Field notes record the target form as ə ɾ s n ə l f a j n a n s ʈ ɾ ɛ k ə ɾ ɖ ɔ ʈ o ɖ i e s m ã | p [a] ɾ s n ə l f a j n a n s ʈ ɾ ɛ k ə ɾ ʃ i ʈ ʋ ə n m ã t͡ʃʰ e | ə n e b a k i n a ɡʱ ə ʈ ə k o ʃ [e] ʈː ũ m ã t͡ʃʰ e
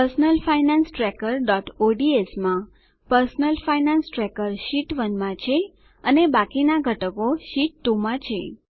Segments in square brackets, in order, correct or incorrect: incorrect, incorrect

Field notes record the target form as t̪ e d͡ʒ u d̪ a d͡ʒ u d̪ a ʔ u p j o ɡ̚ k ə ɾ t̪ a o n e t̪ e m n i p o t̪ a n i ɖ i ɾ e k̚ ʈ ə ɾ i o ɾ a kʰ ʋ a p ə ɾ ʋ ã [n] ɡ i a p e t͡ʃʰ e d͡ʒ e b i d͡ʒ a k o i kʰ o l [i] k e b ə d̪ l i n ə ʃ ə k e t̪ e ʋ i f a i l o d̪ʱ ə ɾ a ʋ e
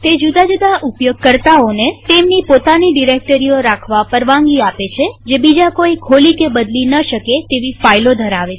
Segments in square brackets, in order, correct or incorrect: incorrect, correct

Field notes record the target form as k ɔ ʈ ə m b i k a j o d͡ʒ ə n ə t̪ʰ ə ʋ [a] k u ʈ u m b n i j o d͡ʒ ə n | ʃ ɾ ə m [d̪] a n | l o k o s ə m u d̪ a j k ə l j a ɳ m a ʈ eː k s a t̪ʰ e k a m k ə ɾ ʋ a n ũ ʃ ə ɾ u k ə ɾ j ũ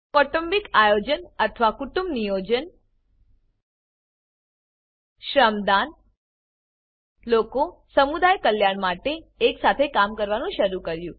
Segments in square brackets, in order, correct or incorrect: correct, correct

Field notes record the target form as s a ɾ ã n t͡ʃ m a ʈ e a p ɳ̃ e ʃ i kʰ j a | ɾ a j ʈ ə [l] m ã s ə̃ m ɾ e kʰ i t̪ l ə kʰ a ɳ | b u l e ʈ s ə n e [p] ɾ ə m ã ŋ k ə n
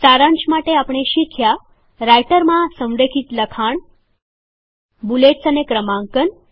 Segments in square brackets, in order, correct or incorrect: incorrect, incorrect

